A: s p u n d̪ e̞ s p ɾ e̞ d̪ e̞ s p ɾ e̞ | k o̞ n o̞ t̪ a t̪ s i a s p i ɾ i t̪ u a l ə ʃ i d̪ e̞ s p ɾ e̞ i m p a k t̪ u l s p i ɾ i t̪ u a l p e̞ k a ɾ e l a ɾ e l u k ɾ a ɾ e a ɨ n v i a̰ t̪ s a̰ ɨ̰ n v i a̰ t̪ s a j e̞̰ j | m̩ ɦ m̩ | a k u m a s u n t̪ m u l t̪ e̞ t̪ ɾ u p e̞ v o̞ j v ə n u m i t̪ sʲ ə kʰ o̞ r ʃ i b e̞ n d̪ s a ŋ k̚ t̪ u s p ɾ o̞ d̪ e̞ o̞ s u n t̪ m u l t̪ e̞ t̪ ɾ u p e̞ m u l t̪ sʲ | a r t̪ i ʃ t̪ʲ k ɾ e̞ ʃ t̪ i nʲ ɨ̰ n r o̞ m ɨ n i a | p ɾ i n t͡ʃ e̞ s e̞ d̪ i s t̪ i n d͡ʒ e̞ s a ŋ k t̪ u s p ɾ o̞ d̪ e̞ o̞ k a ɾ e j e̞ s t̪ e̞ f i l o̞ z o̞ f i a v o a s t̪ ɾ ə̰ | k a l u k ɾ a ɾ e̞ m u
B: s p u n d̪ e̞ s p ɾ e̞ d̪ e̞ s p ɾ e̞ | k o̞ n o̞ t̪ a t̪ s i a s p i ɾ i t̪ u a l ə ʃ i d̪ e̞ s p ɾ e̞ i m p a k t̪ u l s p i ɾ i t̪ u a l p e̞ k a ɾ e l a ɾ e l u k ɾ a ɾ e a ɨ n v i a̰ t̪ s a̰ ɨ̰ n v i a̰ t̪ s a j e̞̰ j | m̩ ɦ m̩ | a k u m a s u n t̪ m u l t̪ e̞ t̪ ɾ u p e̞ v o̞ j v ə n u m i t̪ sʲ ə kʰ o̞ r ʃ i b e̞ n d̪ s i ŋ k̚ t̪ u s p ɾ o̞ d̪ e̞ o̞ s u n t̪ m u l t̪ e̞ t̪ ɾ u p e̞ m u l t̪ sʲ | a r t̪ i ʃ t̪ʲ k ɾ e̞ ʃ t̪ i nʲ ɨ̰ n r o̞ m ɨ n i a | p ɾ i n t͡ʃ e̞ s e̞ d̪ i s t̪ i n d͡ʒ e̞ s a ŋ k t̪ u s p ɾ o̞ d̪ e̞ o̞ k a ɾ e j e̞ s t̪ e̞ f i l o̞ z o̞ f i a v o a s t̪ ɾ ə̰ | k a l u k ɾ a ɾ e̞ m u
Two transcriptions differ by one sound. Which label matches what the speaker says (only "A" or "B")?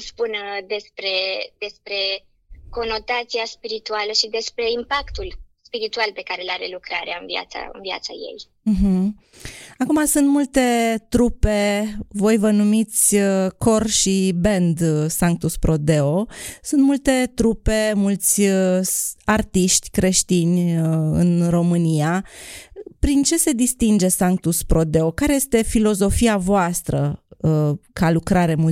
A